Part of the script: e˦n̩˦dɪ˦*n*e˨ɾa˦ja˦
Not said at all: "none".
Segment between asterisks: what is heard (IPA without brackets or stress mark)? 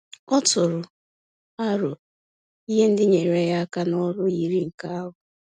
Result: ɲ